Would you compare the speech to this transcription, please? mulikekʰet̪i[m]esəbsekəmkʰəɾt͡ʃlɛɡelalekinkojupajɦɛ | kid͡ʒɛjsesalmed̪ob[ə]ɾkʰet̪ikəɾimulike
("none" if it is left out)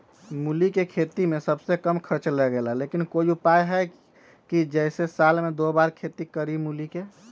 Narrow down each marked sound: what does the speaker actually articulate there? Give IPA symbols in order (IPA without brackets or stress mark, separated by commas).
m, a